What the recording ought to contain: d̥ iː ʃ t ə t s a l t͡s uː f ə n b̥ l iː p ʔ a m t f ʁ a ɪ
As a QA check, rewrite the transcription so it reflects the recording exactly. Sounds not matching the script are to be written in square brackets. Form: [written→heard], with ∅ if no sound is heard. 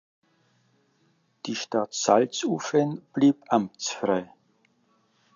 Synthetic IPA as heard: d̥ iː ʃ t [ə→a] t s a l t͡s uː f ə n b̥ l iː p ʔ a m [t→t͡s] f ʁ a ɪ